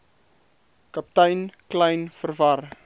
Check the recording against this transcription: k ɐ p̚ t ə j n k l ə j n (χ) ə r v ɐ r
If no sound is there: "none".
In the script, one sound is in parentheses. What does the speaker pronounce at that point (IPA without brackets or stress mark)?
f